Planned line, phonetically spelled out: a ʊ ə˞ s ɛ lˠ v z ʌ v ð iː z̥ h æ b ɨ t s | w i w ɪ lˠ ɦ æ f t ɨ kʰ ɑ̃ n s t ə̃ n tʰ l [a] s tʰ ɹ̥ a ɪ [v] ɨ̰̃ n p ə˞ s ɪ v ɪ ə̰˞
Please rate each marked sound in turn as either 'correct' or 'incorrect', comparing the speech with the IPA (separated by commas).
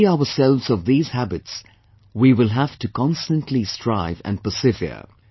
incorrect, correct